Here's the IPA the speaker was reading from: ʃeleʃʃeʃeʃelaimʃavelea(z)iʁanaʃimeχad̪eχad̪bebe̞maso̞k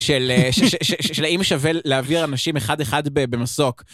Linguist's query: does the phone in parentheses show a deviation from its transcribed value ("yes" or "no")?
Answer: yes